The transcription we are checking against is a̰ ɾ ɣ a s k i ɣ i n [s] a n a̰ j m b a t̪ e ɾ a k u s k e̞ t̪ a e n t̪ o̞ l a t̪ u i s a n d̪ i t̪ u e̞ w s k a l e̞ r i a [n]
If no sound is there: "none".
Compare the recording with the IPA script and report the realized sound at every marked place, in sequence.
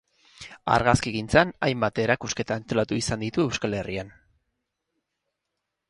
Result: t͡s, n

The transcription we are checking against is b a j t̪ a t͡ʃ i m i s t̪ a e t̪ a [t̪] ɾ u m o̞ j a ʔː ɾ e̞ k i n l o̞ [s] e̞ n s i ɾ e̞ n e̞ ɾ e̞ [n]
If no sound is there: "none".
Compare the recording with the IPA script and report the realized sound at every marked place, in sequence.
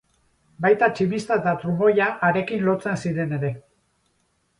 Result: t̪, t͡s, none

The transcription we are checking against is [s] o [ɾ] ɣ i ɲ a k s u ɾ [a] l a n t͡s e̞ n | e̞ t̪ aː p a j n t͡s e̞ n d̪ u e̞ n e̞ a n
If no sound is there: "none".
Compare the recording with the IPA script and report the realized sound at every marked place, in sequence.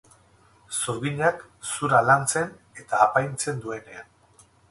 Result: s, ɾ, a

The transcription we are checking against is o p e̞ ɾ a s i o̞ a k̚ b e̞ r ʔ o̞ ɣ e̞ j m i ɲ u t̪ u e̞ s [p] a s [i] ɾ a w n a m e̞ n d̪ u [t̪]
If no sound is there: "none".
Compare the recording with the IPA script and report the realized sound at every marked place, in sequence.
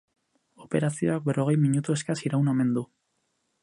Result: k, i, none

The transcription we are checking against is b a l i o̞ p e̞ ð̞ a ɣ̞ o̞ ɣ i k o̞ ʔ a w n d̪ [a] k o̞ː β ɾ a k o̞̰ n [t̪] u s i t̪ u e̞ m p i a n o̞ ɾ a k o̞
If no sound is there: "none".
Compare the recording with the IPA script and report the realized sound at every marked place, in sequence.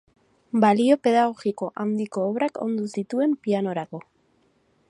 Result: i, d̪

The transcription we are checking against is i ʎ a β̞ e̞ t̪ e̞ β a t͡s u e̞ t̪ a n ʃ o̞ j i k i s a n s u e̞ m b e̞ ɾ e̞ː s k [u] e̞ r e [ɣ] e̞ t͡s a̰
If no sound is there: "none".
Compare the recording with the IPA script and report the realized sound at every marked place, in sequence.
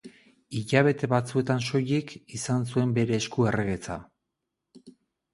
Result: u, ɣ

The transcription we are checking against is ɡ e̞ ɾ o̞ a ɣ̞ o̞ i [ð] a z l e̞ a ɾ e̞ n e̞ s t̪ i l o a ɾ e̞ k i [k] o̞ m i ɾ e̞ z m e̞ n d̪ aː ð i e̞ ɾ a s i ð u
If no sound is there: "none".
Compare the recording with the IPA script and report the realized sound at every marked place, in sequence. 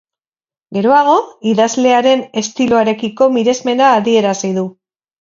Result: ð, k

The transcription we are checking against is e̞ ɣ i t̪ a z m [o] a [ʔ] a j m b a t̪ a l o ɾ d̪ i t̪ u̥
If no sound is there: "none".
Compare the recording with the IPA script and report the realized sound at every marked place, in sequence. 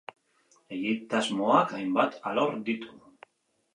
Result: o, k

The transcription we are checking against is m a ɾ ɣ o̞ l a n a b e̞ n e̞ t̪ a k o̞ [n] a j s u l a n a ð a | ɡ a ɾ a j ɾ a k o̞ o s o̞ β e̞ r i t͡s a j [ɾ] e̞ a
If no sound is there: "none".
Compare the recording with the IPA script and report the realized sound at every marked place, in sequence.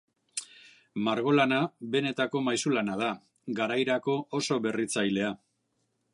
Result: m, l

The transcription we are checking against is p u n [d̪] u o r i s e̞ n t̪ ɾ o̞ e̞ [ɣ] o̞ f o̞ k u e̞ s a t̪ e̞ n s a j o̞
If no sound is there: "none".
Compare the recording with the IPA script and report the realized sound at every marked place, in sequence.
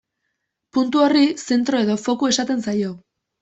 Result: t̪, ð

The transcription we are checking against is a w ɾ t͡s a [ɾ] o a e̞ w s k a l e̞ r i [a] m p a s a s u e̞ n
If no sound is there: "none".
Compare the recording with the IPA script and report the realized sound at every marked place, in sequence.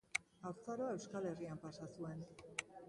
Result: ɾ, a

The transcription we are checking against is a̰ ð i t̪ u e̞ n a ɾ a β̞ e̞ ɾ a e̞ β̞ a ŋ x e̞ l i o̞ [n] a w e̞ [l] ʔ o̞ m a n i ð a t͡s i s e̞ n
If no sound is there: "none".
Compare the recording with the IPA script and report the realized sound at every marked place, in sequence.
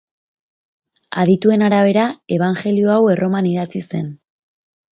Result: none, r

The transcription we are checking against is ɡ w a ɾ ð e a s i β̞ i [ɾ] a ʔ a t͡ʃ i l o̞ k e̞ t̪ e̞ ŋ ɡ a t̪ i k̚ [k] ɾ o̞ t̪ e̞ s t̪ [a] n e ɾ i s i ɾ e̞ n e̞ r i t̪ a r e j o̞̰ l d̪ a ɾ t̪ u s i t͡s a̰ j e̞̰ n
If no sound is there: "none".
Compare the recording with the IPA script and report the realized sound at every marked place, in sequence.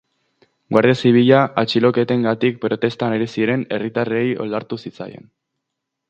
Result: ʎ, p, a

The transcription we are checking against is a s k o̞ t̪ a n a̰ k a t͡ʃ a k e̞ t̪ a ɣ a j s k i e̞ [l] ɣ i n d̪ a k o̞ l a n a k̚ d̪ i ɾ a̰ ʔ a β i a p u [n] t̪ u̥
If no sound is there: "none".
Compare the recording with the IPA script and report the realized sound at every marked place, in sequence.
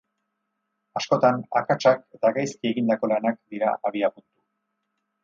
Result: none, n

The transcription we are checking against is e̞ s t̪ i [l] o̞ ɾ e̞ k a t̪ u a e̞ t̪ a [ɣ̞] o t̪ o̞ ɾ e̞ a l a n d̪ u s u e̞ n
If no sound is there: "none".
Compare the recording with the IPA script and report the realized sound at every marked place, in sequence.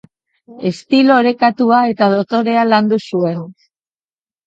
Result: l, ð̞

